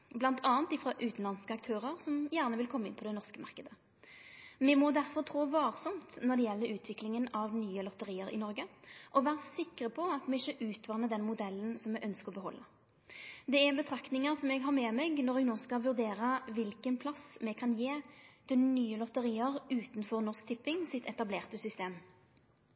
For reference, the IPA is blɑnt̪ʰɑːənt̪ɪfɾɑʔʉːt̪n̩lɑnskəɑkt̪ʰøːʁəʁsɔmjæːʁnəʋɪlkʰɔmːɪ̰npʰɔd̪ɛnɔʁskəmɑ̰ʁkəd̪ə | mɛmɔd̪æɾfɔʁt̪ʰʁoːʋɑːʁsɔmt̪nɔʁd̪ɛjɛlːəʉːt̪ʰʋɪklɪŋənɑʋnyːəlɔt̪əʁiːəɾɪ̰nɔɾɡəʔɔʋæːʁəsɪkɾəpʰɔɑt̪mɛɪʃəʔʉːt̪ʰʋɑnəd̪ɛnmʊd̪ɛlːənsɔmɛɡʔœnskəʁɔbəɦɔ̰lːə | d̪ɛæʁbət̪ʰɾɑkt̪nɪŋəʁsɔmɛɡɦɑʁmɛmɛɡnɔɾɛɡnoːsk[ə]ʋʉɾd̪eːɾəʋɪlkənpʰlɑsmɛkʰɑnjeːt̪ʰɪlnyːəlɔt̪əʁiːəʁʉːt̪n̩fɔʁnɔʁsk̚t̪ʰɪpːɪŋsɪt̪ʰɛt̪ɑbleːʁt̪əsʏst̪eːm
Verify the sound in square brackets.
incorrect: ɑ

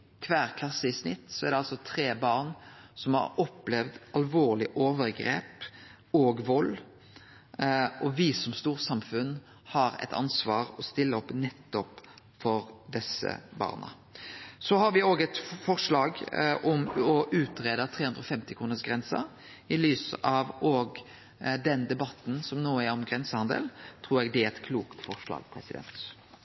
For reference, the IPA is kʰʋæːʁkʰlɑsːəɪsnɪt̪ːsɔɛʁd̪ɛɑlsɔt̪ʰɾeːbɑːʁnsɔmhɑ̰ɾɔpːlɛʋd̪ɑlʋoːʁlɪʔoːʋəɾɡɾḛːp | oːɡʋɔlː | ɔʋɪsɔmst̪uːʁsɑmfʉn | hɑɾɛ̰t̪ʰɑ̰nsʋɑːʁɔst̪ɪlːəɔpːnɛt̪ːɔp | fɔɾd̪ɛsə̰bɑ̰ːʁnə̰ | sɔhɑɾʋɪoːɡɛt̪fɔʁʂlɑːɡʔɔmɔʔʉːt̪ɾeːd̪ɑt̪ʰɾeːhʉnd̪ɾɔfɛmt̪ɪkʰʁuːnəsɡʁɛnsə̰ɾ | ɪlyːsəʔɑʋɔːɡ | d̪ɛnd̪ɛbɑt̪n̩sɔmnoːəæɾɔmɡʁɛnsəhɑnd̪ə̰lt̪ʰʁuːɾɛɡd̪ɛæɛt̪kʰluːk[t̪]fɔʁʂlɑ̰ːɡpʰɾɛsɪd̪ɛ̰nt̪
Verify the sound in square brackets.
correct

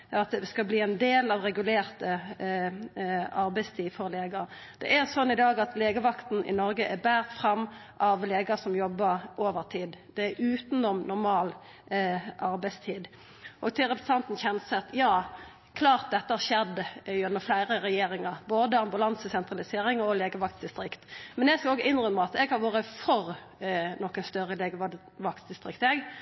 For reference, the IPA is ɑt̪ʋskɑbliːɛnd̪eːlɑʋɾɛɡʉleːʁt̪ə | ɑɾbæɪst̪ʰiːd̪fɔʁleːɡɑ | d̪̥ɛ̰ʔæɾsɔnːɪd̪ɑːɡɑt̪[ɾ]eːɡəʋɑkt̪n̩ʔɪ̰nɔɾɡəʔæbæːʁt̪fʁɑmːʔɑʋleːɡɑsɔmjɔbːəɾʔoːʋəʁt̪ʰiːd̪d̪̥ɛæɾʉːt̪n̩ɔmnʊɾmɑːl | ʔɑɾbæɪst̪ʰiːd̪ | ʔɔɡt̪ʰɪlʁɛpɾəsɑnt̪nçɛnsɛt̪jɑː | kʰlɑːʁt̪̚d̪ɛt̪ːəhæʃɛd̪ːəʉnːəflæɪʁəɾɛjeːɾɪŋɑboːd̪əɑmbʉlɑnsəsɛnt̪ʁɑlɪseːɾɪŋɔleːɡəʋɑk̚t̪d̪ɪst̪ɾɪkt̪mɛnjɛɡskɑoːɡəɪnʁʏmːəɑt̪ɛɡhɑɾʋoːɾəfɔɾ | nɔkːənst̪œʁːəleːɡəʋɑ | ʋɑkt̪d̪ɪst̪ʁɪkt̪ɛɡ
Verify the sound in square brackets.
incorrect: l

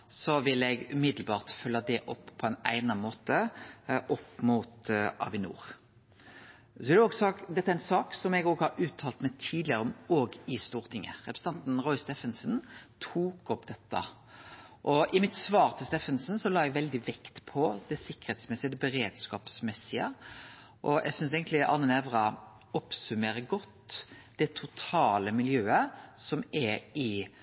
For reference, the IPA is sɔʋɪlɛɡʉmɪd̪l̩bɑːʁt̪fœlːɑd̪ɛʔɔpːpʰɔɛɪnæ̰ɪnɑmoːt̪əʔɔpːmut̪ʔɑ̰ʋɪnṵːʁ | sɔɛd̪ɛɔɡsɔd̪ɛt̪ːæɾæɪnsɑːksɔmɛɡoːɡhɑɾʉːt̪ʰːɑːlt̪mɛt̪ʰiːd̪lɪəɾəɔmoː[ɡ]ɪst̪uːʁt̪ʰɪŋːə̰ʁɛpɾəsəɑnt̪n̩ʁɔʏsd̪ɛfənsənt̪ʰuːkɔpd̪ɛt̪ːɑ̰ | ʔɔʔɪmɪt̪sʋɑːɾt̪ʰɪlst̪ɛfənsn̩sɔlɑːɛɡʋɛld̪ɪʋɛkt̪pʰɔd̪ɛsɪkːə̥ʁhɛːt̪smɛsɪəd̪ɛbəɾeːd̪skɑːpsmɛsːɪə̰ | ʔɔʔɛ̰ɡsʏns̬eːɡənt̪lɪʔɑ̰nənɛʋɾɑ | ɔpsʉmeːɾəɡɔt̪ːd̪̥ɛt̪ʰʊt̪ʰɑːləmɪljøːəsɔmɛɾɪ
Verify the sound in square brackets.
correct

